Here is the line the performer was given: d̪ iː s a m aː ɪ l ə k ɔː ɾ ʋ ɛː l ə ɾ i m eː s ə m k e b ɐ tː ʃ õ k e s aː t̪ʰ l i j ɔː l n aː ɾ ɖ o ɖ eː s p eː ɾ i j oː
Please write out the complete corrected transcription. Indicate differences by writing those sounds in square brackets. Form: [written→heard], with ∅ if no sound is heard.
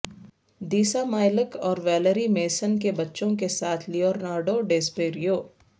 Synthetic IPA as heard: d̪ iː s a m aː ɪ l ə k ɔː ɾ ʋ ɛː l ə ɾ i m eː s ə [m→n] k e b ɐ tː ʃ õ k e s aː t̪ʰ l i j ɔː [l→ɾ] n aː ɾ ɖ o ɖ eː s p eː ɾ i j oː